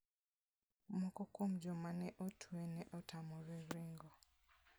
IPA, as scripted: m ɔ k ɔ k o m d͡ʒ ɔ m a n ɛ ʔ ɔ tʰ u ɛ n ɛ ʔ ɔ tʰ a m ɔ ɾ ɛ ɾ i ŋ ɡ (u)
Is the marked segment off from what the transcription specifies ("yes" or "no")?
yes